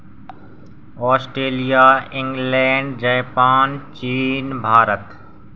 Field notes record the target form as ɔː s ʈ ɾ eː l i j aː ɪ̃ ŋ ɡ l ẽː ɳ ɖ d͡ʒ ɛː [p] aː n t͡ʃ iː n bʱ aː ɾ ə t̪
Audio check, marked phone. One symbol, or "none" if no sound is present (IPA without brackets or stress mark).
p